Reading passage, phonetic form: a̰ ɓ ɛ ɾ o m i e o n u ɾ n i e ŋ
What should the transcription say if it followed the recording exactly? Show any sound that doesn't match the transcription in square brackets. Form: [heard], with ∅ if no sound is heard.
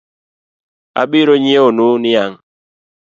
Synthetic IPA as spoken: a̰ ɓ [i] ɾ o [ɲ] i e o n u [∅] n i [a] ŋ